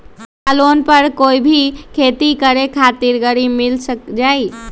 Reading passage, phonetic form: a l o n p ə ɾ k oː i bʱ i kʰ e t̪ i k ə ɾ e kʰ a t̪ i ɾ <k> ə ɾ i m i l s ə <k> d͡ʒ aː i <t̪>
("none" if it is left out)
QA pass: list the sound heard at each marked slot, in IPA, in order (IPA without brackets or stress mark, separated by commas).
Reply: ɡ, k, none